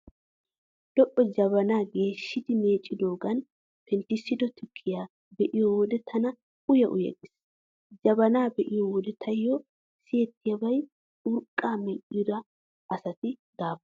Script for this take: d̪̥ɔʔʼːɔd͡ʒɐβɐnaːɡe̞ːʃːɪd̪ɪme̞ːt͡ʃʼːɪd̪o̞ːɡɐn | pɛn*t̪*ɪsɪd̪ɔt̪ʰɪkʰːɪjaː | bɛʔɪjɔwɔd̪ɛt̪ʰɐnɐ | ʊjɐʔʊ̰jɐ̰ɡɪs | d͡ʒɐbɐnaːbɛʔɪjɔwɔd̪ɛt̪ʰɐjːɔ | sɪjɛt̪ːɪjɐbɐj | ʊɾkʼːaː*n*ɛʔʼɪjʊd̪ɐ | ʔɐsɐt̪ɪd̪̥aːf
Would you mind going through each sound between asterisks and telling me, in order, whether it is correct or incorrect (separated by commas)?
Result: correct, incorrect